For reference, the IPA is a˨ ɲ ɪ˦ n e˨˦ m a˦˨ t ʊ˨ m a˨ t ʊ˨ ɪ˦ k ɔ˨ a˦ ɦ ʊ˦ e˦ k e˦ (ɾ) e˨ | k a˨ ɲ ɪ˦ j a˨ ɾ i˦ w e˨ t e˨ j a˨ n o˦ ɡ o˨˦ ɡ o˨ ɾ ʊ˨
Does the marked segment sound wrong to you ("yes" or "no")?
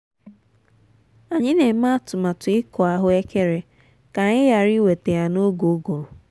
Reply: no